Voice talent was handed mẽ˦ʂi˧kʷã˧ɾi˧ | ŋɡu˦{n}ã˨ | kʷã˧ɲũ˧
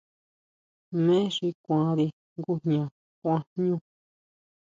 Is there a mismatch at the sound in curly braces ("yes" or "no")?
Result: yes